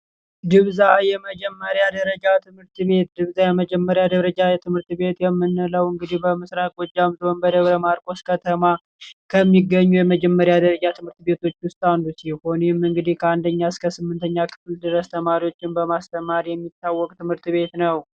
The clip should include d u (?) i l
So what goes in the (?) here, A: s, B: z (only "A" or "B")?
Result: A